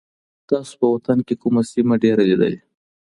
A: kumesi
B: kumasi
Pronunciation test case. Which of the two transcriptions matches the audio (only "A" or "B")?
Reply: B